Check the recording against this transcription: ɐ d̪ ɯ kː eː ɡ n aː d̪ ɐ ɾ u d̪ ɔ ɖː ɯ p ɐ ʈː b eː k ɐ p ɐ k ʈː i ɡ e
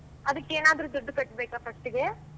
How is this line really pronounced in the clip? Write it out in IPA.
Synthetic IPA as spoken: ɐ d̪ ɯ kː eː n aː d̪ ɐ ɾ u d̪ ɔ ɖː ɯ k ɐ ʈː b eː k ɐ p ɐ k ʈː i ɡ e